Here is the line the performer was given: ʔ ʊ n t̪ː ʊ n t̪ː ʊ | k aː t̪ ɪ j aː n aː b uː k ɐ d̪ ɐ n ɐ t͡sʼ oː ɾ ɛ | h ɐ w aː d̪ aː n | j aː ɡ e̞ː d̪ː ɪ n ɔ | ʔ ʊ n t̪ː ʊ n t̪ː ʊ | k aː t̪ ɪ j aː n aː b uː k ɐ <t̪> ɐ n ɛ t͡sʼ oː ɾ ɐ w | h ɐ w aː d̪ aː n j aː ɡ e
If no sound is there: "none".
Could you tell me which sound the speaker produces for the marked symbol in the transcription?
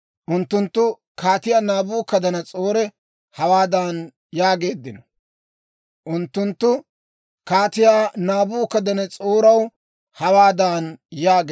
d̪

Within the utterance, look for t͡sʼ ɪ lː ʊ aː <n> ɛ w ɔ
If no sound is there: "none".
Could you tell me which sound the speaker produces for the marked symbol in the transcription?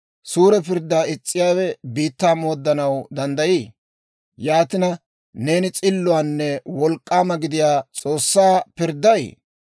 nː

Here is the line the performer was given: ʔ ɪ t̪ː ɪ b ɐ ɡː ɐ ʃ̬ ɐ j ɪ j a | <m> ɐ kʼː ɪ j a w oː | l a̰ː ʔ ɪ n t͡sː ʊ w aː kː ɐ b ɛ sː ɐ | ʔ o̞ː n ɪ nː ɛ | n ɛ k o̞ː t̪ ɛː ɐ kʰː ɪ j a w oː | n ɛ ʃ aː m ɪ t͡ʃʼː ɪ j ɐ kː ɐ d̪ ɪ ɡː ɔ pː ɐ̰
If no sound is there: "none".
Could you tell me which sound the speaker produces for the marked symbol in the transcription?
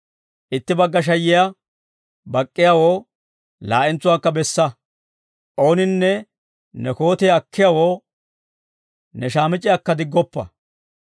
b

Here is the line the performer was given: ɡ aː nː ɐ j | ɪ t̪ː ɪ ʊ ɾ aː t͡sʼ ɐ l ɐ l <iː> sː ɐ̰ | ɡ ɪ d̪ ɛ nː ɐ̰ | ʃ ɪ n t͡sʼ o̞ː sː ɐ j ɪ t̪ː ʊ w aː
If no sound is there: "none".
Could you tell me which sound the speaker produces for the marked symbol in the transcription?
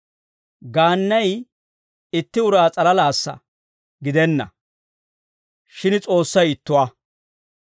aː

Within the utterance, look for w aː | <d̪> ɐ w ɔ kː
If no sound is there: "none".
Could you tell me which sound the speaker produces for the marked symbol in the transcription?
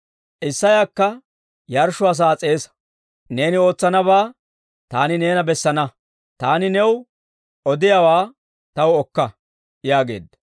t̪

